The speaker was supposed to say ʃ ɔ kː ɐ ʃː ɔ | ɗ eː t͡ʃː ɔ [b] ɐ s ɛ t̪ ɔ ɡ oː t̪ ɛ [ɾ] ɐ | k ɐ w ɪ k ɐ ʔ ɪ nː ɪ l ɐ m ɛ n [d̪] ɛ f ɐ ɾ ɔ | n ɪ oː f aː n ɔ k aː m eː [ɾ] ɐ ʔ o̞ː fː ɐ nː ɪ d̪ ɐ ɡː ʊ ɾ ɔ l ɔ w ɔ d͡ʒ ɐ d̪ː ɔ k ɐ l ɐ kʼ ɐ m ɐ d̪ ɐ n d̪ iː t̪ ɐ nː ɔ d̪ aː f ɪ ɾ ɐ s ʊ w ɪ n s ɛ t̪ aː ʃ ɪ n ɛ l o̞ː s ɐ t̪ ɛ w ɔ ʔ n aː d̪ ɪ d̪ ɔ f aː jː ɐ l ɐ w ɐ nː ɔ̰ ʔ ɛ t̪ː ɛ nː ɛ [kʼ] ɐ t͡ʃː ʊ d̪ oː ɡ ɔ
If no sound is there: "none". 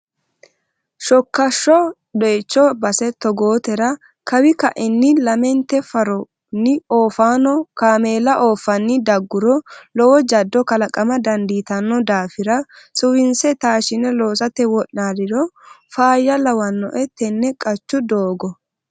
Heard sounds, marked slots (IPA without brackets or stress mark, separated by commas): b, ɾ, t̪, l, kʼ